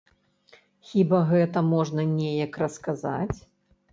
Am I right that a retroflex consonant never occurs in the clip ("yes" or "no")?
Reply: no